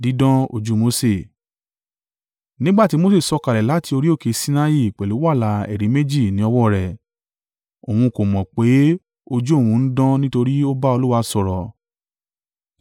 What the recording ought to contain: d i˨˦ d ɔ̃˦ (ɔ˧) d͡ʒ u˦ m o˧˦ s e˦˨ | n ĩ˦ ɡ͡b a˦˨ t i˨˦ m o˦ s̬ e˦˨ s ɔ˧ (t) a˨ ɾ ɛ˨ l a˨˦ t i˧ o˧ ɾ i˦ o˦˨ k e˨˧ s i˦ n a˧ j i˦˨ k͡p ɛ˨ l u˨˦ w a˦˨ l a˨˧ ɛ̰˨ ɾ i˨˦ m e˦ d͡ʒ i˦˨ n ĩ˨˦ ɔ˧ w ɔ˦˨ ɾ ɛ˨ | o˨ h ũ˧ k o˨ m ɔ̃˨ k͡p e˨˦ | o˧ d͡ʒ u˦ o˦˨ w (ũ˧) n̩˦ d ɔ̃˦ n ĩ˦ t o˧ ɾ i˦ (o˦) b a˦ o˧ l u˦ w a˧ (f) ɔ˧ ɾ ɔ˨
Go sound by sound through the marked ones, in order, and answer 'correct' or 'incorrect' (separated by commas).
incorrect, incorrect, correct, correct, incorrect